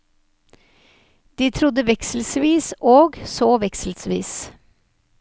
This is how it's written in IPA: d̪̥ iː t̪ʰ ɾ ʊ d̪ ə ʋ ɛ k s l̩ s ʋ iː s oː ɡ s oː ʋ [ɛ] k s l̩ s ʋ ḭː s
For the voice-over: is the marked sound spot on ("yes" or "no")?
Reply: yes